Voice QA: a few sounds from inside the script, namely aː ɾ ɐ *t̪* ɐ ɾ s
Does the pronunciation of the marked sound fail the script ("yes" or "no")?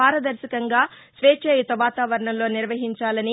yes